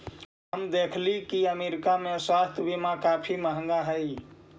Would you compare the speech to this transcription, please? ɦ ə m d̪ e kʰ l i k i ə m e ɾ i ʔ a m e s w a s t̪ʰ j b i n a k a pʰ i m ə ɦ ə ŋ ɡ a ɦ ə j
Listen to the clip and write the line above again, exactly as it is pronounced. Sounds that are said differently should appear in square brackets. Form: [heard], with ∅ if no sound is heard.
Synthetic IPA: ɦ ə m d̪ e kʰ l i k i ə m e ɾ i [k] a m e s w a s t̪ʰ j b i [m] a k a pʰ i m ə ɦ ə ŋ ɡ a ɦ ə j